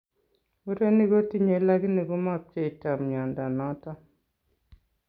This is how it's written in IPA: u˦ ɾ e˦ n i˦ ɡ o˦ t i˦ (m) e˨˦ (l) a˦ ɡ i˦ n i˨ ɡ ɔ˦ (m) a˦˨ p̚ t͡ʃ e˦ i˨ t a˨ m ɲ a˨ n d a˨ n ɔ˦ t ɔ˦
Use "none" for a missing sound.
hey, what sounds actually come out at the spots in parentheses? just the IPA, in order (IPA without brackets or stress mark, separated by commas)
ɲ, l, m